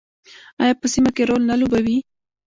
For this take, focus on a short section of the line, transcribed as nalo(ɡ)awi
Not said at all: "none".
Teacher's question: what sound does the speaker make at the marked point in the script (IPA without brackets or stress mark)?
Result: b